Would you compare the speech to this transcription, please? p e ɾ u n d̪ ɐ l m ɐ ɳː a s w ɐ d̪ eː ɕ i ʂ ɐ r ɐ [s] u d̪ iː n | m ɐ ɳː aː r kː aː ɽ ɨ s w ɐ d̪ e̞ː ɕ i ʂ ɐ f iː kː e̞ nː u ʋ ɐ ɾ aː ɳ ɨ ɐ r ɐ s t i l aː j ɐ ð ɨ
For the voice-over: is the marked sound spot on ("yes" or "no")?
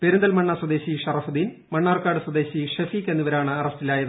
no